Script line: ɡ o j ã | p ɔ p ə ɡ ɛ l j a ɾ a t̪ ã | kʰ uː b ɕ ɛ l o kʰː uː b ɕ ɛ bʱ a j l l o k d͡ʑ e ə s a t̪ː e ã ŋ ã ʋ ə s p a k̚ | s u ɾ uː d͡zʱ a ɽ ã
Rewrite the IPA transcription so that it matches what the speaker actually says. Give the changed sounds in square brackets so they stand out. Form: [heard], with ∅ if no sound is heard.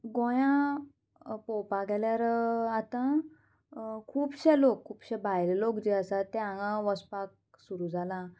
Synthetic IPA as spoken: ɡ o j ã | p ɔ p [a] ɡ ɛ l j a ɾ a t̪ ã | kʰ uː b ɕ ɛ l o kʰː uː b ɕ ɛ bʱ a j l l o k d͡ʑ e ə s a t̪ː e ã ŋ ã ʋ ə s p a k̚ | s u ɾ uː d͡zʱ a [l] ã